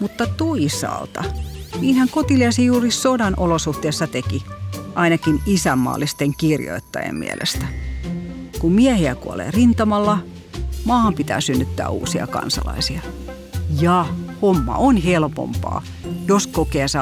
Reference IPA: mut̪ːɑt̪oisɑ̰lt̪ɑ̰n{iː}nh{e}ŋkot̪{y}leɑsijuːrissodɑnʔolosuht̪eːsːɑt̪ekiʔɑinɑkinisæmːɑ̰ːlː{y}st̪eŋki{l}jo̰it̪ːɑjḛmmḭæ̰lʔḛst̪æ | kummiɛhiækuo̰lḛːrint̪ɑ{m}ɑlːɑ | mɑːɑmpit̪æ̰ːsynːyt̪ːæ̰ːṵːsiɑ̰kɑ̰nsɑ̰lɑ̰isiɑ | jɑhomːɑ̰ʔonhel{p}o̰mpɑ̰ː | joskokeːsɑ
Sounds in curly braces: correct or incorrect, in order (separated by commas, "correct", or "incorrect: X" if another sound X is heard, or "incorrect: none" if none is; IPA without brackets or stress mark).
correct, incorrect: æ, incorrect: i, incorrect: i, incorrect: r, correct, correct